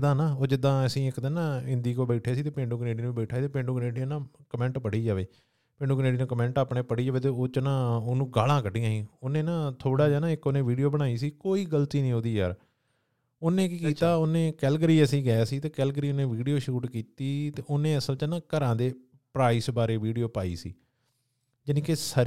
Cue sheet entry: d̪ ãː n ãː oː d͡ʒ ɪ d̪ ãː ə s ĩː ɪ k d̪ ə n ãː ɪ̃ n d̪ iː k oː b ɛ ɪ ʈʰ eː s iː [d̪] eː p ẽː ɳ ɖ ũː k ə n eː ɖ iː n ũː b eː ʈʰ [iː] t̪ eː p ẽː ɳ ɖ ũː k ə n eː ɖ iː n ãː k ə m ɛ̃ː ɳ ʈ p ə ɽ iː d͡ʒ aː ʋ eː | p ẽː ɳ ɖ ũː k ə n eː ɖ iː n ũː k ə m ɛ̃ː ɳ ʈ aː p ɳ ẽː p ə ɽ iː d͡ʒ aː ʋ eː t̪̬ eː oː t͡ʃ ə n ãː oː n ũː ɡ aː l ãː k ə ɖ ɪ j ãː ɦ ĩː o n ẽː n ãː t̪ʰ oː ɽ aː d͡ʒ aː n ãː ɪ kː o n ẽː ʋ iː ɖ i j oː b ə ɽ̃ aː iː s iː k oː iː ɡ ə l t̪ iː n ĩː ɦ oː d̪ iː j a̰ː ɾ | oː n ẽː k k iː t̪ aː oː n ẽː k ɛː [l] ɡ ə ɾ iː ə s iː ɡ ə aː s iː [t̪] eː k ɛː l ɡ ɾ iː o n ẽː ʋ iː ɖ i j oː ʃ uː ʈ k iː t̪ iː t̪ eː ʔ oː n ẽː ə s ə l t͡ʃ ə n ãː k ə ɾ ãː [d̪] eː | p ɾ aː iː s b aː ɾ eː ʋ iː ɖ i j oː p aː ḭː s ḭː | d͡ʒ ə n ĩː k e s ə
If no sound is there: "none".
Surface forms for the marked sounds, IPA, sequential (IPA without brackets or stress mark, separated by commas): t̪, aː, l, t̪, d̪